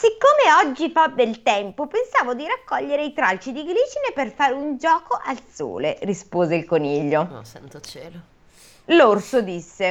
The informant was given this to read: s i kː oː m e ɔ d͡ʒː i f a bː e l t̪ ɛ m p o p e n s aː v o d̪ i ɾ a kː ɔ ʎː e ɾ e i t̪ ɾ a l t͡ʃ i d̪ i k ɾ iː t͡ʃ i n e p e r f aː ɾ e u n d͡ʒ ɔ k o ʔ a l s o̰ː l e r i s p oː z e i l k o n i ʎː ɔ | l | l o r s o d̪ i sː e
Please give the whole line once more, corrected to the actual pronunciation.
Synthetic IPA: s i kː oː m e ɔ d͡ʒː i f a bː e l t̪ ɛ m p o p e n s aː v o d̪ i ɾ a kː ɔ ʎː e ɾ e i t̪ ɾ a l t͡ʃ i d̪ i ɡ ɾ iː t͡ʃ i n e p e r f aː ɾ e u n d͡ʒ ɔː k o ʔ a l s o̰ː l e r i s p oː z e i l k o n i ʎː o | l | l o r s o d̪ i sː e